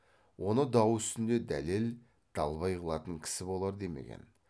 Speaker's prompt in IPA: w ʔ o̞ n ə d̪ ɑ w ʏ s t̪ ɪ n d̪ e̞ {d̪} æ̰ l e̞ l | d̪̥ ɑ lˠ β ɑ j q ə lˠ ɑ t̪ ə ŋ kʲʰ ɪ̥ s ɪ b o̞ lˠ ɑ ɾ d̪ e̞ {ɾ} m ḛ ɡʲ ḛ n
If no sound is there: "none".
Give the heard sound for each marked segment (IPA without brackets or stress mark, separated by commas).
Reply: d̪, none